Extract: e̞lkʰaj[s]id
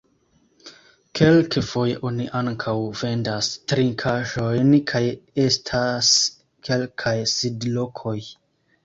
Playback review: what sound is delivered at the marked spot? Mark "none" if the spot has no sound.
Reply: s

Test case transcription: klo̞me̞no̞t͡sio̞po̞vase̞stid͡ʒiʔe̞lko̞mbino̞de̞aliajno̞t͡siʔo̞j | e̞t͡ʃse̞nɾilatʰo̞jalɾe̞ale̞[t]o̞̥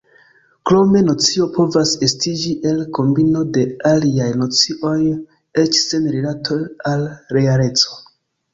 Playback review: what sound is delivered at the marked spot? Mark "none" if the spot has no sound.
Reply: t͡s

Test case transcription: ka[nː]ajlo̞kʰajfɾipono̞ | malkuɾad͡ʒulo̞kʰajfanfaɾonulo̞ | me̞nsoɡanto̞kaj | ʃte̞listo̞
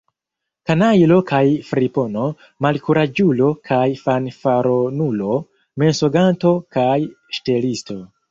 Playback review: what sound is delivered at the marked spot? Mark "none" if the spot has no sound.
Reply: n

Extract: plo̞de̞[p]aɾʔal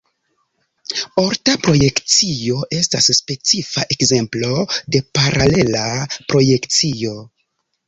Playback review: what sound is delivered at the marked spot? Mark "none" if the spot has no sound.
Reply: p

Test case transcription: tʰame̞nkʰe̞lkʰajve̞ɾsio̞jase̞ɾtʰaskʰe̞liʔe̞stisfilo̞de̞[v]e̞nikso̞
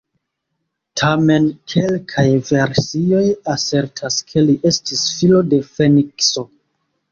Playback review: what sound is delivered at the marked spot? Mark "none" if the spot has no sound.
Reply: f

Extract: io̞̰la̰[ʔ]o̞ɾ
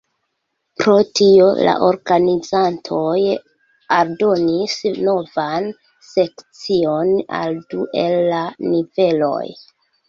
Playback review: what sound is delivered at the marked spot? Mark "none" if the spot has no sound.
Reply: ʔ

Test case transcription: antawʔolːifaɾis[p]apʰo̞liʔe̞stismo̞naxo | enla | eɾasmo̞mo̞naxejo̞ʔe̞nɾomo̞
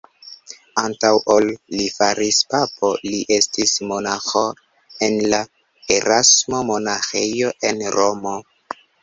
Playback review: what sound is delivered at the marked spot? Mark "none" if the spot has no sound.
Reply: p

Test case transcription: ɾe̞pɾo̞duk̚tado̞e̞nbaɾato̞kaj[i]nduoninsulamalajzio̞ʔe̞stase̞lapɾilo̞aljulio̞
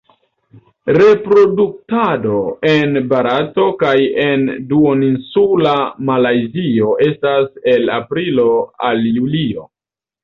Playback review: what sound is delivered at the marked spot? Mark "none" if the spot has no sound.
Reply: e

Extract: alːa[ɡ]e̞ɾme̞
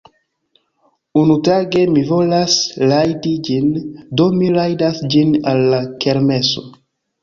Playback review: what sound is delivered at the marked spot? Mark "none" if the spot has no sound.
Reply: k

